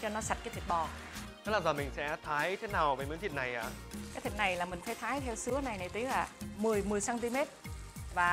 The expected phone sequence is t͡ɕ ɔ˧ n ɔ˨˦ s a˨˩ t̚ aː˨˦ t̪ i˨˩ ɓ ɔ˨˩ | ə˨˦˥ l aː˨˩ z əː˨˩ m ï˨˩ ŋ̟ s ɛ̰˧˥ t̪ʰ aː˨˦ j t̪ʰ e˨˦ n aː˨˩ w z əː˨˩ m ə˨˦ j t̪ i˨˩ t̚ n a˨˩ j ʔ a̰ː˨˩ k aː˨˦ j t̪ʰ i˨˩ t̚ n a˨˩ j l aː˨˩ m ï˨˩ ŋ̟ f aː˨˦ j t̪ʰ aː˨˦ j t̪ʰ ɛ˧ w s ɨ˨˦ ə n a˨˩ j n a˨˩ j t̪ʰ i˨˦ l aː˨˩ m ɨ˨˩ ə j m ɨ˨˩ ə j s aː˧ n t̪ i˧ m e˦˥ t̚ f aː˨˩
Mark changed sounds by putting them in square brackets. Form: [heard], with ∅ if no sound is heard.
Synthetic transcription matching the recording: t͡ɕ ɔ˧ n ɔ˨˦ s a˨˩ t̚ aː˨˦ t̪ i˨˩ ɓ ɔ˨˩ | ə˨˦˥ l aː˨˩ z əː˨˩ m ï˨˩ ŋ̟ s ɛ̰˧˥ t̪ʰ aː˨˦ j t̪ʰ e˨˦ n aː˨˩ w [v] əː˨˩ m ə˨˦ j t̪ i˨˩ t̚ n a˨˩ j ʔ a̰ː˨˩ k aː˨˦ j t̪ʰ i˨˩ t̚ n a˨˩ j l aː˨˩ m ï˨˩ ŋ̟ f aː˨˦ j t̪ʰ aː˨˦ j t̪ʰ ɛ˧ w s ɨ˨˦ ə n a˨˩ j n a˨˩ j [t̪] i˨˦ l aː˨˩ m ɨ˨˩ ə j m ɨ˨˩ ə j s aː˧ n t̪ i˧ m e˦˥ t̚ [v] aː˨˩

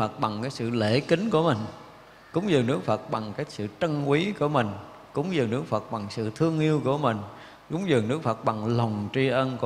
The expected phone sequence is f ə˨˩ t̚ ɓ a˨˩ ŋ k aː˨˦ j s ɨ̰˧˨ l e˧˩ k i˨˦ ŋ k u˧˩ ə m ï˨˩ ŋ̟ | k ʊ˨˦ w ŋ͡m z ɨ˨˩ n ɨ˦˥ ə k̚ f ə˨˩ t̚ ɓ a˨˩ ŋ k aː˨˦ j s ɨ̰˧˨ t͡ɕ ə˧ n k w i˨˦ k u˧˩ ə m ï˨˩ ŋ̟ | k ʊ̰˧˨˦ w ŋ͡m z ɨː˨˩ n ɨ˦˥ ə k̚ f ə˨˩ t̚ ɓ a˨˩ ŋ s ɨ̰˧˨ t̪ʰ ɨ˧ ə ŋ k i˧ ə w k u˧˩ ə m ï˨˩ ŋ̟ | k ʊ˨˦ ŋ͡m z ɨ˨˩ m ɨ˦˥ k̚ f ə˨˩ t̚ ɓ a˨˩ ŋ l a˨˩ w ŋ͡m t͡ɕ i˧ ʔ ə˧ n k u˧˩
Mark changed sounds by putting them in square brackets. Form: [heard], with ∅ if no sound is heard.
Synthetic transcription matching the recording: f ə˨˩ t̚ ɓ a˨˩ ŋ k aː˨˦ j s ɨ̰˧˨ l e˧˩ k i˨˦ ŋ k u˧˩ ə m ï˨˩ ŋ̟ | k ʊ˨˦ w ŋ͡m z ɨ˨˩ n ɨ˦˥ ə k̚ f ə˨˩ t̚ ɓ a˨˩ ŋ k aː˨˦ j s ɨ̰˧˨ t͡ɕ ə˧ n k w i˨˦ k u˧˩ ə m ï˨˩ ŋ̟ | k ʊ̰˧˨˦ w ŋ͡m z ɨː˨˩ n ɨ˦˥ ə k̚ f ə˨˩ t̚ ɓ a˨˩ ŋ s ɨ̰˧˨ t̪ʰ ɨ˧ ə ŋ [ʔ] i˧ ə w k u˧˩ ə m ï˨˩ ŋ̟ | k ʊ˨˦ ŋ͡m z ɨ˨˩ [n] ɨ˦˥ k̚ f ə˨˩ t̚ ɓ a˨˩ ŋ l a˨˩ w ŋ͡m t͡ɕ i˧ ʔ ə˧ n k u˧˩

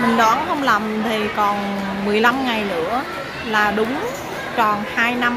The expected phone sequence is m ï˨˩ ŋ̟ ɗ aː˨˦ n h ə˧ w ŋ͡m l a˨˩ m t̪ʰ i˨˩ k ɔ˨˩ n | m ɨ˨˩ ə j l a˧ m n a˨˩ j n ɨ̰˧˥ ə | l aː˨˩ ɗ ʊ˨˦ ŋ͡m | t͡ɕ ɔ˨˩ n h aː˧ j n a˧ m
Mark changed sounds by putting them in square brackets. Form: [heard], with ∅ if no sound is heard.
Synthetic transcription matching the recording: m ï˨˩ ŋ̟ ɗ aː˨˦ n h ə˧ w ŋ͡m l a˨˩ m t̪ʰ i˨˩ k ɔ˨˩ n | m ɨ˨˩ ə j l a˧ m [ŋ] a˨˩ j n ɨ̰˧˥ ə | l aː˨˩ ɗ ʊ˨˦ ŋ͡m | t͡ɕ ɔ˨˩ n h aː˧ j n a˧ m

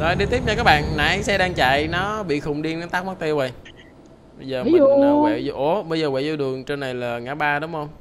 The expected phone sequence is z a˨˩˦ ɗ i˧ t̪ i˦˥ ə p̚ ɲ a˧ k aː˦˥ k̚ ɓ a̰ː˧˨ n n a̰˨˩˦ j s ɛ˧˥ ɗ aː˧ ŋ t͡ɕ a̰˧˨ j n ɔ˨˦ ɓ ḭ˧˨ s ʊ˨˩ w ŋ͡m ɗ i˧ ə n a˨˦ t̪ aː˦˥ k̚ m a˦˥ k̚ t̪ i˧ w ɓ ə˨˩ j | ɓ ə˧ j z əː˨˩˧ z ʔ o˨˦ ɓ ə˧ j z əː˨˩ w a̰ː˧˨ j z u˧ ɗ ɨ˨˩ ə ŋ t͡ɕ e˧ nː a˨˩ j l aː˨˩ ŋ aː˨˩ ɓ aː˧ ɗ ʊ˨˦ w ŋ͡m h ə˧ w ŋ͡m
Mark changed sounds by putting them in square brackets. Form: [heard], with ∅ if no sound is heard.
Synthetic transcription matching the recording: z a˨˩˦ ɗ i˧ t̪ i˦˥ ə p̚ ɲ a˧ k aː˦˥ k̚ ɓ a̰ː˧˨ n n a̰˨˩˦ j s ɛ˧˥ ɗ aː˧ ŋ t͡ɕ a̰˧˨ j n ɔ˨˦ ɓ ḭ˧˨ [x] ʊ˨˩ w ŋ͡m ɗ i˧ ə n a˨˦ t̪ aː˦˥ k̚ m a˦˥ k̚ t̪ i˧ w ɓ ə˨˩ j | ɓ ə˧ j z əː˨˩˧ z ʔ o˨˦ ɓ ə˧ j z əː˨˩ w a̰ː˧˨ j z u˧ ɗ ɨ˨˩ ə ŋ t͡ɕ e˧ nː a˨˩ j l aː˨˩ ŋ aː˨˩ ɓ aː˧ ɗ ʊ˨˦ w ŋ͡m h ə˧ w ŋ͡m

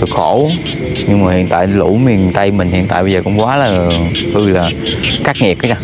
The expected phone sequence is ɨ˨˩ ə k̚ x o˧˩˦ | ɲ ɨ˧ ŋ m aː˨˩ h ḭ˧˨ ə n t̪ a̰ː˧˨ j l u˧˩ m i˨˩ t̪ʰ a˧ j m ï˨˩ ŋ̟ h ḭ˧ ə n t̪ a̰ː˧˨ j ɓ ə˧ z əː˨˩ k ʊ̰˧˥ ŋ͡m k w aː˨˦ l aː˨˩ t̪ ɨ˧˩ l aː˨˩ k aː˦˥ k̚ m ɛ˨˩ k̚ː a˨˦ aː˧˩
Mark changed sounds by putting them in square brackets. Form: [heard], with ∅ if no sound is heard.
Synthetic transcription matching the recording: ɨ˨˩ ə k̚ x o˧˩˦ | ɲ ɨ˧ ŋ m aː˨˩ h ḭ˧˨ ə n t̪ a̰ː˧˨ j l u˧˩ m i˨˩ [t̪] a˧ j m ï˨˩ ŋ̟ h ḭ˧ ə n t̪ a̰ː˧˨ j ɓ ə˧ z əː˨˩ k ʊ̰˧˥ ŋ͡m k w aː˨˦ l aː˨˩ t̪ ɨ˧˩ l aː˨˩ k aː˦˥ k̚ [ŋ] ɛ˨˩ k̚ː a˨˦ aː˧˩

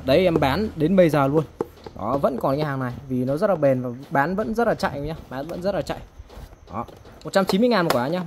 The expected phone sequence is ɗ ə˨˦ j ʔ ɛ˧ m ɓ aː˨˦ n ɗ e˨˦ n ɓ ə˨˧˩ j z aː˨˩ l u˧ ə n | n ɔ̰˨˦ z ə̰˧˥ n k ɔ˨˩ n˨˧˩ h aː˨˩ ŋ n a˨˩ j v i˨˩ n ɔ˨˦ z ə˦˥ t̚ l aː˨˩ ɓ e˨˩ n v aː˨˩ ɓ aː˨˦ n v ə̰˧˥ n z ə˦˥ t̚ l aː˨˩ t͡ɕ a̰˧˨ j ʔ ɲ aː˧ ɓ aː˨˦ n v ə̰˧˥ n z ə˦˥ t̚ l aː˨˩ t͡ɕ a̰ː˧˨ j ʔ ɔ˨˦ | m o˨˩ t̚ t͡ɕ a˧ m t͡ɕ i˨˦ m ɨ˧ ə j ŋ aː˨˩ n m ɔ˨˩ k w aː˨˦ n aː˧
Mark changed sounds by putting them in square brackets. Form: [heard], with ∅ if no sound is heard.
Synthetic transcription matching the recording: ɗ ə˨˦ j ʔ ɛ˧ m ɓ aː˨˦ n ɗ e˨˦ n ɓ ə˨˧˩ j z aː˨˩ l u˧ ə n | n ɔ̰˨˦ [v] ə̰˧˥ n k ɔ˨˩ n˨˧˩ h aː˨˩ ŋ n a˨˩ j v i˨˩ n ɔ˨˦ z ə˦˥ t̚ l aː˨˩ ɓ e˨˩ n v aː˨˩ ɓ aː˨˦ n v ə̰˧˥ n z ə˦˥ t̚ l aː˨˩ t͡ɕ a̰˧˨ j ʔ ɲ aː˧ ɓ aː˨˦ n v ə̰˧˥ n z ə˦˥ t̚ l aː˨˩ t͡ɕ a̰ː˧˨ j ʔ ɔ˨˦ | m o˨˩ t̚ t͡ɕ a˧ m t͡ɕ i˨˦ m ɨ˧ ə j ŋ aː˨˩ n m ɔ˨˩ k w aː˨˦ [ɲ] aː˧

